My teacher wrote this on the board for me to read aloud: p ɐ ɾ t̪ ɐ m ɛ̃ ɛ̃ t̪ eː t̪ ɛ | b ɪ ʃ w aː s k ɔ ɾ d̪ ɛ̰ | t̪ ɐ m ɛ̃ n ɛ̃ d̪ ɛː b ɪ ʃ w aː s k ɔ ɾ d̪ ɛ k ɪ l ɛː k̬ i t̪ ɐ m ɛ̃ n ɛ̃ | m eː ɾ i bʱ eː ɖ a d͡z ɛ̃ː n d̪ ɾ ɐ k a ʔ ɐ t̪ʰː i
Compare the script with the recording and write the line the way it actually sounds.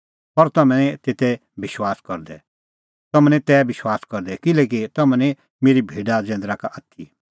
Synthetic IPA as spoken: p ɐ ɾ t̪ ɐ m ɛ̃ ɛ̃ t̪ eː t̪ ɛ | b ɪ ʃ w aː s k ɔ ɾ d̪ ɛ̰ | t̪ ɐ m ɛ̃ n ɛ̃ t̪ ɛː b ɪ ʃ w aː s k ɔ ɾ d̪ ɛ k ɪ l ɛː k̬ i t̪ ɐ m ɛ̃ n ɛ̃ | m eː ɾ i bʱ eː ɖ a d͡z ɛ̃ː n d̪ ɾ a k a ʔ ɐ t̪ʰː i

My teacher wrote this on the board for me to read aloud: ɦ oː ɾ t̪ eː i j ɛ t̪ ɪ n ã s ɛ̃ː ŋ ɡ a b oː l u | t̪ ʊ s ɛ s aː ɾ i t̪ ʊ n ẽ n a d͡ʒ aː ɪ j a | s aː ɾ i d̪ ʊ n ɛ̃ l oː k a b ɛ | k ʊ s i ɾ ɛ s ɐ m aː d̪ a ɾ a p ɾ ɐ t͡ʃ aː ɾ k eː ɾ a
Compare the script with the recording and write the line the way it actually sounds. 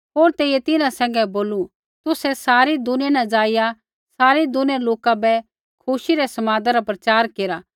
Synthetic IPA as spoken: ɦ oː ɾ t̪ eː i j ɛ t̪ ɪ n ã s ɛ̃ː ŋ ɡ ɛ b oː l u | t̪ ʊ s ɛ s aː ɾ i d̪ ʊ n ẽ n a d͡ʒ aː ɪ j a | s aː ɾ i d̪ ʊ n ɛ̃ l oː k a b ɛ | kʰ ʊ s i ɾ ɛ s ɐ m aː d̪ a ɾ a p ɾ ɐ t͡ʃ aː ɾ k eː ɾ a

